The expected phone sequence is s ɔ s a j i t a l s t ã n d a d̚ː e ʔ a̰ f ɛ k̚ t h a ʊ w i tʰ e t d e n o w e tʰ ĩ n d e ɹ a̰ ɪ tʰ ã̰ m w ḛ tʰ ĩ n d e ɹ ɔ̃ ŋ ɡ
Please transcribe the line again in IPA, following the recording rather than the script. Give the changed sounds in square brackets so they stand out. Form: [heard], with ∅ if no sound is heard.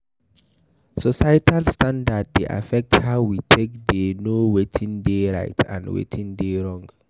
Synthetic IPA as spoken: s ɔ s a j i t a l s t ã n d a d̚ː e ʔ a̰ f ɛ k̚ t h a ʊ w i tʰ e [k] d e n o w e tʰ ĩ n d e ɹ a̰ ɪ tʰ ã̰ [n] w ḛ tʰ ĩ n d e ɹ ɔ̃ ŋ ɡ